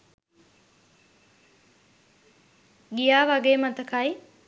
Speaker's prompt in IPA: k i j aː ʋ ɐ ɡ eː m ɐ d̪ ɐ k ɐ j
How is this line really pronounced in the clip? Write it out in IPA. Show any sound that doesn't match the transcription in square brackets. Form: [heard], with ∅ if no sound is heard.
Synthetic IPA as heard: [ɡ] i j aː ʋ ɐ ɡ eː m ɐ [t̪] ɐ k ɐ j

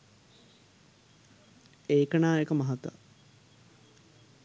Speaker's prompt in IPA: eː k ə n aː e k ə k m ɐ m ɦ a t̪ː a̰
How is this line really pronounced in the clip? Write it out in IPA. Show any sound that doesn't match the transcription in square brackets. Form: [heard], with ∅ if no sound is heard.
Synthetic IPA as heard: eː k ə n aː e k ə [∅] m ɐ [∅] ɦ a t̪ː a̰

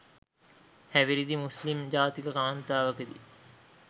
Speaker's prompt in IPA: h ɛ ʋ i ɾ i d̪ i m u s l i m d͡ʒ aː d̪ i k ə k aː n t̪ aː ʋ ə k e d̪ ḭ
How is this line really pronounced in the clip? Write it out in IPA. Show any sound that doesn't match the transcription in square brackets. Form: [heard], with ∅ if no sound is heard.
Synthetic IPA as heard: h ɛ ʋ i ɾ i d̪ i m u s l i m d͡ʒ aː [t̪] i k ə k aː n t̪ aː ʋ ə k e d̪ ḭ

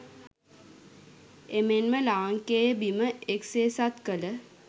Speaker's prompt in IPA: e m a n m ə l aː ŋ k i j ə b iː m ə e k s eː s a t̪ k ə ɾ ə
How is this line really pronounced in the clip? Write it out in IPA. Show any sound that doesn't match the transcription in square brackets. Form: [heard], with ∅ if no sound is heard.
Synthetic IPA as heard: e m [e] n m ə l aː ŋ k [e] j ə b [i] m ə e k s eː s a t̪ k ə [l] ə

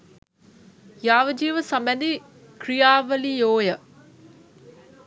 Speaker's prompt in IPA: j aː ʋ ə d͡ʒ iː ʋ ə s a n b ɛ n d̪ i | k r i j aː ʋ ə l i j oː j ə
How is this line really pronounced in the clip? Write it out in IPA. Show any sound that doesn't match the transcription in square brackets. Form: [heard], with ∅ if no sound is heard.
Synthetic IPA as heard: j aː ʋ ə d͡ʒ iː ʋ ə s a [m] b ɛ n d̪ i | k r i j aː ʋ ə l i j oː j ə

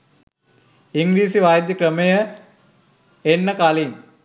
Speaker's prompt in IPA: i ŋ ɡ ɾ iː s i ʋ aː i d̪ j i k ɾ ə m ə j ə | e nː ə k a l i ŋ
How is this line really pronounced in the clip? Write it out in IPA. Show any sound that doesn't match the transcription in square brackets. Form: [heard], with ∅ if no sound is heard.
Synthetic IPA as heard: i ŋ ɡ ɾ iː s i ʋ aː [j] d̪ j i k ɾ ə m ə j ə | e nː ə k a l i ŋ

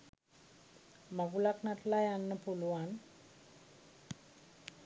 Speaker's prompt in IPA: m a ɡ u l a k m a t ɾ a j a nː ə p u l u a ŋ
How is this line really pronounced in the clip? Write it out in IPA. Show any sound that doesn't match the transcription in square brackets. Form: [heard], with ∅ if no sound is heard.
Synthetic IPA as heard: m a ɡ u l a k [n] a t [l] a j a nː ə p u l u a [n]

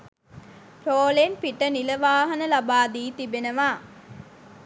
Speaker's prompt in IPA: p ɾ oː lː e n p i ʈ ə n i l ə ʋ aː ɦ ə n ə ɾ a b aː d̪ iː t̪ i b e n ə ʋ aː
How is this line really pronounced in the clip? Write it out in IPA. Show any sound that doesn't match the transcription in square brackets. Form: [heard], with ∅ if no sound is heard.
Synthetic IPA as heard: p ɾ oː [l] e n p i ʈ ə n i l ə ʋ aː ɦ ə n ə [l] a b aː d̪ iː t̪ i b e n ə ʋ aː

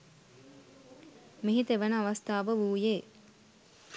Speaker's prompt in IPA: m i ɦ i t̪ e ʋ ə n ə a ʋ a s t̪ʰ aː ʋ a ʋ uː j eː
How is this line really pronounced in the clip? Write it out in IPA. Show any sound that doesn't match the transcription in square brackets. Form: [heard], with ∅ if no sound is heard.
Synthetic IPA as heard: m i ɦ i t̪ e ʋ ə n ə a ʋ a s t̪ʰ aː ʋ [ə] ʋ uː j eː

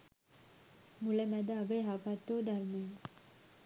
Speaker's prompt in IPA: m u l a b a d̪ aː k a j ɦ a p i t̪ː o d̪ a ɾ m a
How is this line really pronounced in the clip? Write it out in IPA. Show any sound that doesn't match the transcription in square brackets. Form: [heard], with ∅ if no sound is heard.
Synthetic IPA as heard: m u l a [m] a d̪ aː [ɡ] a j ɦ a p [a] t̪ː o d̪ a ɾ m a

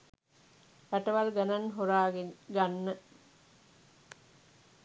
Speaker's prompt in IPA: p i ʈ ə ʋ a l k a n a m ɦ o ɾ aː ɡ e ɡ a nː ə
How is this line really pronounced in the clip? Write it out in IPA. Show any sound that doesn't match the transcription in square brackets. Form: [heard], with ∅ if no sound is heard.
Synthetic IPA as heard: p [æ] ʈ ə ʋ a l [ɡ] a n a [n] ɦ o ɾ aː ɡ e ɡ a nː ə

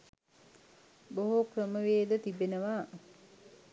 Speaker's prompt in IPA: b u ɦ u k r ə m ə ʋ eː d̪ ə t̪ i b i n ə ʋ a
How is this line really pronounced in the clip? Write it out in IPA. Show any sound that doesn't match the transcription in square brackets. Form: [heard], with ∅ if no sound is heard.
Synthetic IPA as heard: b [o] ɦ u k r ə m ə ʋ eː d̪ ə t̪ i b [e] n ə ʋ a

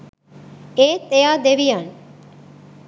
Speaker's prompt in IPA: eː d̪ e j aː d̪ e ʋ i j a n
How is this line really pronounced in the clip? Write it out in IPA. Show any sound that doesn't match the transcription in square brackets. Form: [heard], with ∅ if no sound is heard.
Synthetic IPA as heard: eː [t̪] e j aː d̪ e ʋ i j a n

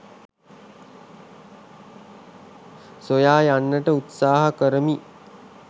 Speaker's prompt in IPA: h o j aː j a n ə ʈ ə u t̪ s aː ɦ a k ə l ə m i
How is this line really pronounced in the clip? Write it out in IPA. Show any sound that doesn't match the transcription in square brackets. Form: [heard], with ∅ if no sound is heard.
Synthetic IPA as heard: [s] o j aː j a [nː] ə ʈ ə u t̪ s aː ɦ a k ə [ɾ] ə m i

